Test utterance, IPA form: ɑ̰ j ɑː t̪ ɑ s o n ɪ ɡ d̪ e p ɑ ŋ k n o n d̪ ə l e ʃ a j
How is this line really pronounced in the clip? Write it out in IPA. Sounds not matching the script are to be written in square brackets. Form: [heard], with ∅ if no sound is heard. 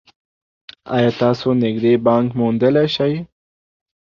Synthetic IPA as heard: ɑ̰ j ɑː t̪ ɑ s o n ɪ ɡ d̪ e [b] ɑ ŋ k [m] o n d̪ ə l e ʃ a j